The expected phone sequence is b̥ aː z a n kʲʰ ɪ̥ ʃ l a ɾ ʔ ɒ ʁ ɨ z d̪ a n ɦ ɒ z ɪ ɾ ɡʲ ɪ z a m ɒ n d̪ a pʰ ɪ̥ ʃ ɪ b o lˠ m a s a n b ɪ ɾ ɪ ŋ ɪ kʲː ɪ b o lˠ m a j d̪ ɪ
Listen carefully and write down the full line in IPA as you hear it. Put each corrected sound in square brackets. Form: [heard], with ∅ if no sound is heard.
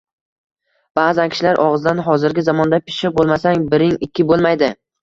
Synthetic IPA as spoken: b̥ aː z a n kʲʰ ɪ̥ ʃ l a ɾ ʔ ɒ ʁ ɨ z d̪ a n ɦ ɒ z ɪ ɾ ɡʲ ɪ z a m ɒ n d̪ a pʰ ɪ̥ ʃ ɪ b o lˠ m a s a [ŋ] b ɪ ɾ ɪ ŋ ɪ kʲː ɪ b o lˠ m a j d̪ ɪ

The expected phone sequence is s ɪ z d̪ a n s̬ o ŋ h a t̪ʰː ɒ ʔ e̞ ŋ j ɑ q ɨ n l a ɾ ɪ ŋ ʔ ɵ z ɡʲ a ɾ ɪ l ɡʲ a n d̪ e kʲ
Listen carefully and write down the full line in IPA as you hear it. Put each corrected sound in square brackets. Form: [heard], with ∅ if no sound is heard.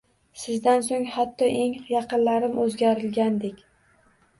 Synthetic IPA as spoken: s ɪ z d̪ a n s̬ o ŋ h a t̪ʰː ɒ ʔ e̞ ŋ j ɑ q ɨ n l a ɾ ɪ [m] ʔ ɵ z ɡʲ a ɾ ɪ l ɡʲ a n d̪ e kʲ

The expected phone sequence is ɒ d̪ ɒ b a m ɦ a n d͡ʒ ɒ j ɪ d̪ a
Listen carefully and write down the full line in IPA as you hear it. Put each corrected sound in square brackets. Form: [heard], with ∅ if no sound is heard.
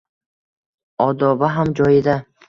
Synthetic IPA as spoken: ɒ d̪ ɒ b a [∅] ɦ a [m] d͡ʒ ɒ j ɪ d̪ a

